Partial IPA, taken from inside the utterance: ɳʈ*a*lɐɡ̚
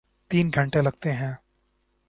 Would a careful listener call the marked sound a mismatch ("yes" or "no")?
yes